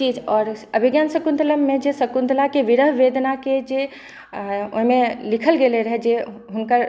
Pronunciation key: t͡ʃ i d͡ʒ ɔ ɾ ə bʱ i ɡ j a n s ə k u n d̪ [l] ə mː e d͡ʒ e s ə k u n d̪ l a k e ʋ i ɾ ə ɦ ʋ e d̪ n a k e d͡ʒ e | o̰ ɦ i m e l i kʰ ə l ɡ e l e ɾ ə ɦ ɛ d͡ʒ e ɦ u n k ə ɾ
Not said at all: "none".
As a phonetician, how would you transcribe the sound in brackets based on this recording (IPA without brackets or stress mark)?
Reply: l